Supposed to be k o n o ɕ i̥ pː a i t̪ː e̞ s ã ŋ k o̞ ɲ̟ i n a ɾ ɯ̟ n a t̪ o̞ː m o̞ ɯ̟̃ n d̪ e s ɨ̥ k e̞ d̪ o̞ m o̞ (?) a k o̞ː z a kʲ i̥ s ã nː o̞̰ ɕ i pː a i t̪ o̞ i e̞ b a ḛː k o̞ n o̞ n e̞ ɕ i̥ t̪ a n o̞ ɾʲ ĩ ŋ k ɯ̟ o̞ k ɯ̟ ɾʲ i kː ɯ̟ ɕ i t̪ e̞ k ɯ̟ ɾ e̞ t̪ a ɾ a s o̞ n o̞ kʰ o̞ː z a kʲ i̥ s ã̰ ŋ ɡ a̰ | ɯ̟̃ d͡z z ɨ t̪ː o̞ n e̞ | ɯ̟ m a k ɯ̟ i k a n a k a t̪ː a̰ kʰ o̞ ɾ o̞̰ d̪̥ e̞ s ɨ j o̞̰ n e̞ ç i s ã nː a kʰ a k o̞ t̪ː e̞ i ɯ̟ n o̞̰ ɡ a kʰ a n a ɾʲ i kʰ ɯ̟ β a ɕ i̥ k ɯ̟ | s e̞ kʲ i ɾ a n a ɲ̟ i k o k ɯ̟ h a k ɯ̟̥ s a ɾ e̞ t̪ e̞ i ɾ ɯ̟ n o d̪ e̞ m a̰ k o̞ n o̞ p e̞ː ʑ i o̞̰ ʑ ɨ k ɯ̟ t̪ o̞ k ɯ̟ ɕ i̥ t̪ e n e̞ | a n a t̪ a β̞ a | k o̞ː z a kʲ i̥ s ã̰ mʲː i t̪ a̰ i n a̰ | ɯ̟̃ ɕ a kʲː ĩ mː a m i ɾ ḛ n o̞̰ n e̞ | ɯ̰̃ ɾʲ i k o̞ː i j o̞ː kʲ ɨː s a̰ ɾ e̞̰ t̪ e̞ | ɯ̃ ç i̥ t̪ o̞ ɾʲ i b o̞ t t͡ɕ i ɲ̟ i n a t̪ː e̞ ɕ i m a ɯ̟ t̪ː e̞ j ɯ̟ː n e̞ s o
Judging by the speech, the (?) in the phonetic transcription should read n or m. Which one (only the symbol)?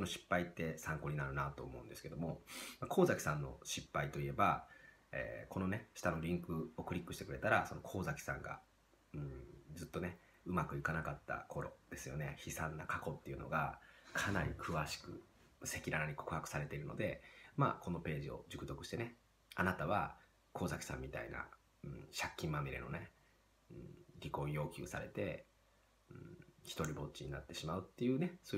m